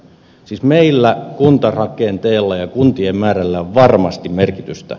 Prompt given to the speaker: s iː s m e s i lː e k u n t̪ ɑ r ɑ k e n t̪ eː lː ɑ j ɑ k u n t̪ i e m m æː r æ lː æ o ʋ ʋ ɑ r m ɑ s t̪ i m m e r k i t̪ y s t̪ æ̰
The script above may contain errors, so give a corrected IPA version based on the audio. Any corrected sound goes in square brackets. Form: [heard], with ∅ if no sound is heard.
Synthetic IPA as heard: s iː s m e [∅] i lː [æ] k u n t̪ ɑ r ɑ k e n t̪ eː lː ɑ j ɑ k u n t̪ i e m m æː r æ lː æ o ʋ ʋ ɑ r m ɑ s t̪ i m m e r k i t̪ y s t̪ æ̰